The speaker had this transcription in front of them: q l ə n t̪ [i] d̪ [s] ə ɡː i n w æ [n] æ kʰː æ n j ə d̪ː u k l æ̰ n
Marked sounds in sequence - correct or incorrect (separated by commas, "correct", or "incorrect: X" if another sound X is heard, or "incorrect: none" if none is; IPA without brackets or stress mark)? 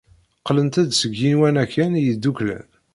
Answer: incorrect: æ, correct, correct